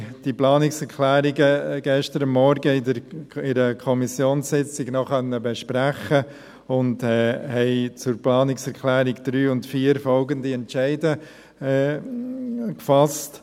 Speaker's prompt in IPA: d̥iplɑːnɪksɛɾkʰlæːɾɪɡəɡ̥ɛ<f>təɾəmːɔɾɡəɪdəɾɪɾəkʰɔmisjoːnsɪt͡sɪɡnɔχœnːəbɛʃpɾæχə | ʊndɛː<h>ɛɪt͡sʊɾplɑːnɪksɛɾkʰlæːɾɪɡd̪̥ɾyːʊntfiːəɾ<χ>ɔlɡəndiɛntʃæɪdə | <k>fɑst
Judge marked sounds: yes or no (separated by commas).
no, yes, no, yes